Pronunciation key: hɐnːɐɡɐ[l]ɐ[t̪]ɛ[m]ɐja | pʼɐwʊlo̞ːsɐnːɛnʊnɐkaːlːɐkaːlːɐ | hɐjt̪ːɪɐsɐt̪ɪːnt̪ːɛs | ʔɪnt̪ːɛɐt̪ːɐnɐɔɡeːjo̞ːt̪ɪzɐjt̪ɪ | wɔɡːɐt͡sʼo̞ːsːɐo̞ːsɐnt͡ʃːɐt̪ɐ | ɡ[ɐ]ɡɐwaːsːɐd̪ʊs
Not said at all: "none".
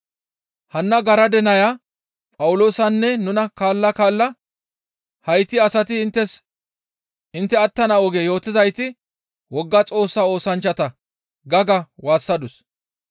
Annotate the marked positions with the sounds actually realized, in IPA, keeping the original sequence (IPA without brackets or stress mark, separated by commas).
ɾ, d̪, n, ɐ